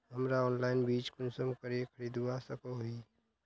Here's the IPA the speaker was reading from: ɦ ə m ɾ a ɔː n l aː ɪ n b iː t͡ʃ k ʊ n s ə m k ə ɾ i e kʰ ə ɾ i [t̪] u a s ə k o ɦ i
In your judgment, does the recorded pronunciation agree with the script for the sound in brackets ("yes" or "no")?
no